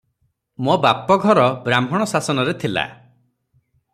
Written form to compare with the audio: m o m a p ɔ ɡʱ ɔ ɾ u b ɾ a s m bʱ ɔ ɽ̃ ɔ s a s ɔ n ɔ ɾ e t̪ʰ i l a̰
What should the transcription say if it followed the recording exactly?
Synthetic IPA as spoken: m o b a p ɔ ɡʱ ɔ ɾ ɔ b ɾ a m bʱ ɔ ɽ̃ ɔ s a s ɔ n ɔ ɾ e t̪ʰ i l a̰